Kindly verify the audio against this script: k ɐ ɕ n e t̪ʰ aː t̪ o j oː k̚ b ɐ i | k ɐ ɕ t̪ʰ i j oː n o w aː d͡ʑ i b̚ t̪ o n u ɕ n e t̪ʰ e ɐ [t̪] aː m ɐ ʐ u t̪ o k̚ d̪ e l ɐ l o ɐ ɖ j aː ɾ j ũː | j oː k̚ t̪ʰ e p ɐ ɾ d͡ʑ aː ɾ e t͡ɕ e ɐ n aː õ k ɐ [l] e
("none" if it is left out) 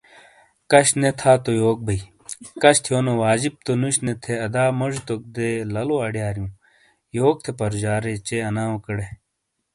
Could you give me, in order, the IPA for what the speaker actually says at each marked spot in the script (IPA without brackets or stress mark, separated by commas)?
d̪, ɽ